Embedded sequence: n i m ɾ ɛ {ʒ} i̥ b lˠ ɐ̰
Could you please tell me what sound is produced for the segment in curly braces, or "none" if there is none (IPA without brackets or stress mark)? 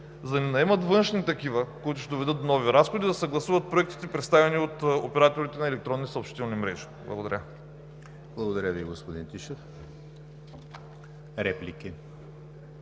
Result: ʒ